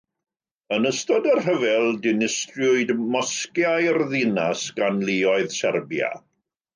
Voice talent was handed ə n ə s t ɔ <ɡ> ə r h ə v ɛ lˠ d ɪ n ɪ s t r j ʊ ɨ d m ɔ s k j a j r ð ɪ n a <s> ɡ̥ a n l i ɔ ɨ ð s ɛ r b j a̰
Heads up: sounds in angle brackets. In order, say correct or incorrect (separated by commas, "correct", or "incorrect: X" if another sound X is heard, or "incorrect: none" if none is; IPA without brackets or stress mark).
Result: incorrect: d, correct